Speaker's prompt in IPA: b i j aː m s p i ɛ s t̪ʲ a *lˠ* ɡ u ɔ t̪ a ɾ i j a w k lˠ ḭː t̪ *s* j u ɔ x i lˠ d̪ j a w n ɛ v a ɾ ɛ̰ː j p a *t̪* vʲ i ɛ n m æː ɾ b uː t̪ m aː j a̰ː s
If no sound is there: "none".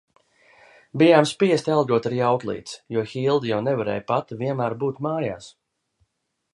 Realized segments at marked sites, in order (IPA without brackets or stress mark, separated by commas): lˠ, s, t̪